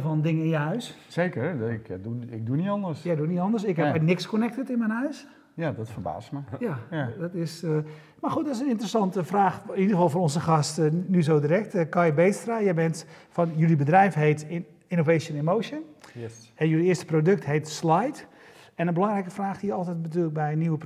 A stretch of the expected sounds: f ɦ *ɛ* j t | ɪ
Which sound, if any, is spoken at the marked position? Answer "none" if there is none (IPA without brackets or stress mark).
e